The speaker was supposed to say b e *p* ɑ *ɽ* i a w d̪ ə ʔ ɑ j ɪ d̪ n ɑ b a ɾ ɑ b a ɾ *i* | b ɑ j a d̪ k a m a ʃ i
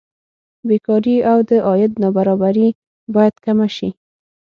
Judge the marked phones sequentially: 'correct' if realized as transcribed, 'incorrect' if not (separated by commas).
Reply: incorrect, incorrect, correct